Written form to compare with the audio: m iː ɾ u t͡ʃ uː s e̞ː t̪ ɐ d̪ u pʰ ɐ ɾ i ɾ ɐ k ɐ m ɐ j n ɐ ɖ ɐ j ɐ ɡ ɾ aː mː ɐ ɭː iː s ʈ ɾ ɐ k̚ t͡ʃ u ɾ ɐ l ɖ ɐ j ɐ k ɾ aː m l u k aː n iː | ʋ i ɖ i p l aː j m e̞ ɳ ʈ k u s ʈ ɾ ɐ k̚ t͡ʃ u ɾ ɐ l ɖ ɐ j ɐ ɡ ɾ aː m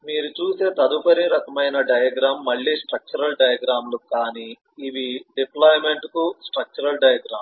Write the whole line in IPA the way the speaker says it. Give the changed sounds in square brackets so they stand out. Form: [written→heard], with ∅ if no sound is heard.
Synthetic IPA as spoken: m iː ɾ u t͡ʃ uː s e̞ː t̪ ɐ d̪ u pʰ ɐ ɾ i ɾ ɐ k ɐ m ɐ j n ɐ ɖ ɐ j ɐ ɡ ɾ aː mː ɐ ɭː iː s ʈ ɾ ɐ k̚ t͡ʃ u ɾ ɐ l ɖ ɐ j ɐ [k→ɡ] ɾ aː m l u k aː n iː | ʋ i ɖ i p l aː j m e̞ ɳ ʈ k u s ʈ ɾ ɐ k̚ t͡ʃ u ɾ ɐ l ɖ ɐ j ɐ ɡ ɾ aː m